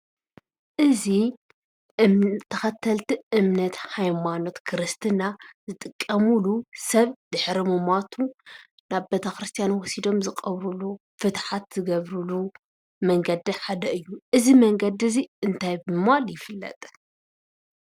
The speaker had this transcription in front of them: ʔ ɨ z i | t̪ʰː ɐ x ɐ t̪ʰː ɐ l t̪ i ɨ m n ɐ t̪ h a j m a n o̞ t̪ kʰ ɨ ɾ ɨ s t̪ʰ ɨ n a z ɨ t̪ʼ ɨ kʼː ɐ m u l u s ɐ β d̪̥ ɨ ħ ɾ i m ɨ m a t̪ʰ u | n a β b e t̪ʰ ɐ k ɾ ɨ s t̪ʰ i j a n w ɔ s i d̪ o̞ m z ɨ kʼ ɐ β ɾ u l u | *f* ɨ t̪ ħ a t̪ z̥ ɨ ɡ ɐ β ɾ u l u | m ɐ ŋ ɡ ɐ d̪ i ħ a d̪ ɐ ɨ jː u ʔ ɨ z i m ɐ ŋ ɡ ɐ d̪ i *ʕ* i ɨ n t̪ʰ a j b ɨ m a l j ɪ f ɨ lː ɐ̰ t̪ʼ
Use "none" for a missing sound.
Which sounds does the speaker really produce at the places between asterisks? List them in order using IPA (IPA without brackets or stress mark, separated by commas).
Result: f, z